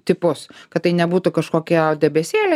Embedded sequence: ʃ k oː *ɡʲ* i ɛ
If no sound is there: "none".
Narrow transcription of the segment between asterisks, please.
kʲ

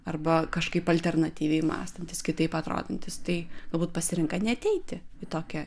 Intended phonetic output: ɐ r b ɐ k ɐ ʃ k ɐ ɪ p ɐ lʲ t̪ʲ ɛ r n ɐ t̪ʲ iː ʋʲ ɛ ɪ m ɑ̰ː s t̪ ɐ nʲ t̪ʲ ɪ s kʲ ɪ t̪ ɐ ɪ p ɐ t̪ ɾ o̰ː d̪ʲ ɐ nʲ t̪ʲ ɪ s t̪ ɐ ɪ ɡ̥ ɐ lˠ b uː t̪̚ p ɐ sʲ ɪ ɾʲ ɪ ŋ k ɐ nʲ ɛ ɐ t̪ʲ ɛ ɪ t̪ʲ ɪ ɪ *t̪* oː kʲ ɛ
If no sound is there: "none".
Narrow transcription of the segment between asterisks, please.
t̪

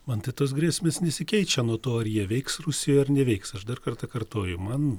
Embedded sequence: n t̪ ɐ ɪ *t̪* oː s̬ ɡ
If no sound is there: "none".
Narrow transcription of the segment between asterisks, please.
t̪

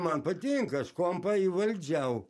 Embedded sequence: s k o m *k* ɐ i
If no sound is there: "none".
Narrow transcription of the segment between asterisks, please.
p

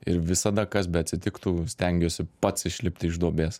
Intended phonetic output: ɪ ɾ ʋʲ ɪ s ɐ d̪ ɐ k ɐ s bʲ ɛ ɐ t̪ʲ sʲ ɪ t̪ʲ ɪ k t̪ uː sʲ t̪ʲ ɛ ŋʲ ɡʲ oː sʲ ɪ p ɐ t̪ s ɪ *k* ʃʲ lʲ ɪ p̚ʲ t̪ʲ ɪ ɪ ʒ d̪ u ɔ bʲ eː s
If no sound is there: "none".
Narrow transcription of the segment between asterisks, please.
none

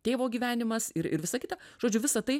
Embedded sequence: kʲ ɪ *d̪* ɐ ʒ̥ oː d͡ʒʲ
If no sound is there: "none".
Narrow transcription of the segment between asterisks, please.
t̪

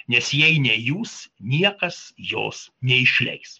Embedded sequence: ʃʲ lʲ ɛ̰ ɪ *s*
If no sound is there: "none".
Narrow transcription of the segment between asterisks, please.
s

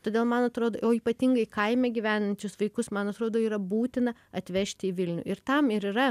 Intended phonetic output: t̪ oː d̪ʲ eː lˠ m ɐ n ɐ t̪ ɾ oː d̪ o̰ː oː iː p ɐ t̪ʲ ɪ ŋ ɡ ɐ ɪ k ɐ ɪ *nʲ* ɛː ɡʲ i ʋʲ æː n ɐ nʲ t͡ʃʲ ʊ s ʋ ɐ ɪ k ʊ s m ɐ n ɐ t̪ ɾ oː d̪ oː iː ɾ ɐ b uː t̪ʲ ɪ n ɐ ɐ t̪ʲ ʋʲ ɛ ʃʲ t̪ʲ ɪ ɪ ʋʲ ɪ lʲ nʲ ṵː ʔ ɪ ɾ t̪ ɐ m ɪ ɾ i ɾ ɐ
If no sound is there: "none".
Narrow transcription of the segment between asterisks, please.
mʲ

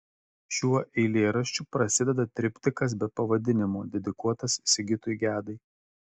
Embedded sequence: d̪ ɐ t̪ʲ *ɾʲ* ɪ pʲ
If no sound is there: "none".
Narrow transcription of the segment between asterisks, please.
ɾʲ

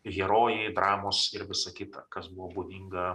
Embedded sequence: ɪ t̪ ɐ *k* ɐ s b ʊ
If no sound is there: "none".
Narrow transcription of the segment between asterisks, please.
k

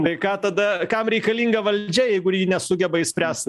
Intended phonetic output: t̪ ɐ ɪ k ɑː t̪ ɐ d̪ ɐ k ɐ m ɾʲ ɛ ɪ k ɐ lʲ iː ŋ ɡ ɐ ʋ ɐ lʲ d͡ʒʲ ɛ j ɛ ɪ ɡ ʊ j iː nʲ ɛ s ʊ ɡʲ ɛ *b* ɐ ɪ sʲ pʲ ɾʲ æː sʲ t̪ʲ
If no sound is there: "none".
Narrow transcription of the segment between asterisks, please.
b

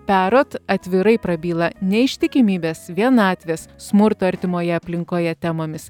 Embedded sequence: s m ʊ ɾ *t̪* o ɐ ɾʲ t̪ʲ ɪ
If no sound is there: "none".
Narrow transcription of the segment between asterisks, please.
t̪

